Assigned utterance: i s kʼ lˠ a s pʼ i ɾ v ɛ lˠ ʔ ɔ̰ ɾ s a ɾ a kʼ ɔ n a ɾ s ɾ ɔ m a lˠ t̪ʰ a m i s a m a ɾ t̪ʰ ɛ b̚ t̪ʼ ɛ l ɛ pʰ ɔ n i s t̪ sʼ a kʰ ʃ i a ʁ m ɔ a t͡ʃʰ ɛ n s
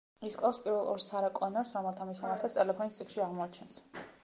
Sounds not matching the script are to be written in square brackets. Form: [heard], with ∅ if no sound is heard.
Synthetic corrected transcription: i s kʼ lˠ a s pʼ i ɾ v ɛ lˠ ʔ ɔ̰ ɾ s a ɾ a kʼ ɔ n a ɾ s ɾ ɔ m [ɛ] lˠ t̪ʰ a m i s a m a ɾ t̪ʰ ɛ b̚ t̪ʼ ɛ l ɛ pʰ ɔ n i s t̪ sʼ [i] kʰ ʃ i a ʁ m ɔ a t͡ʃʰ ɛ n s